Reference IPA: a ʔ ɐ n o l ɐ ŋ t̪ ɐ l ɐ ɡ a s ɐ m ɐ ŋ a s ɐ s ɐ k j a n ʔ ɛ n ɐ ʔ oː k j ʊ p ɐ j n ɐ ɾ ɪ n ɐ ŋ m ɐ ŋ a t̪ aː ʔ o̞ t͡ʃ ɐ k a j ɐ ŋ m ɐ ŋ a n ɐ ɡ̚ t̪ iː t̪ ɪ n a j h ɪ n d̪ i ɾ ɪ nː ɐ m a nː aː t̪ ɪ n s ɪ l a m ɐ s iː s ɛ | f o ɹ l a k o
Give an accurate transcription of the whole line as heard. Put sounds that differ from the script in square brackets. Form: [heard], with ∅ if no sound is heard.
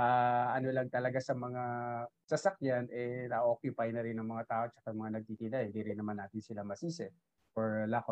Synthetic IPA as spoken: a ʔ ɐ n o l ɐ ŋ t̪ ɐ l ɐ ɡ a s ɐ m ɐ ŋ a s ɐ s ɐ k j a n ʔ ɛ n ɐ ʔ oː k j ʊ p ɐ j n ɐ ɾ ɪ n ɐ ŋ m ɐ ŋ a t̪ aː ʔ o̞ t͡ʃ ɐ k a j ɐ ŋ m ɐ ŋ a n ɐ ɡ̚ t̪ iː t̪ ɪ n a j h ɪ n d̪ i ɾ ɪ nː ɐ m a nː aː t̪ ɪ n s ɪ l a m ɐ s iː s ɛ | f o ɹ l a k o